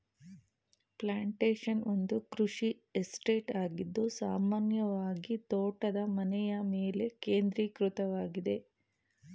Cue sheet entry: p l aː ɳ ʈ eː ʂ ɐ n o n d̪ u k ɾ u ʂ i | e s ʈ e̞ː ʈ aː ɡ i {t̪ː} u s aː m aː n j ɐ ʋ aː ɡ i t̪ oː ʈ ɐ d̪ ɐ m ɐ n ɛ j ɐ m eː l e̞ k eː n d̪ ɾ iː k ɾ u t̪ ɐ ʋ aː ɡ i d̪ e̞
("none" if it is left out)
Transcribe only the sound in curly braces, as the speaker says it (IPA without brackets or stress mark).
d̪ː